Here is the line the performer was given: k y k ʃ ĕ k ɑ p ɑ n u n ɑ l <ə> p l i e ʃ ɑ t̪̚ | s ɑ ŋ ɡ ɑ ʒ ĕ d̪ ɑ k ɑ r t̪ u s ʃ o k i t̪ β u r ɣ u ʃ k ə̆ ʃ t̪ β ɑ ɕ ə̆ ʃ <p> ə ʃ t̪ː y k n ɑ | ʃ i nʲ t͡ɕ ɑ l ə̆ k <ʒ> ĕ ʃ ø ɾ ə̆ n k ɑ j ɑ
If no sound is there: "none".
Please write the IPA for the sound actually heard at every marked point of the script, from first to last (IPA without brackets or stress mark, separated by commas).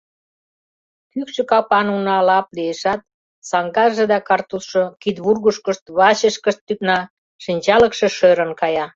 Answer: ɑ, k, ʃ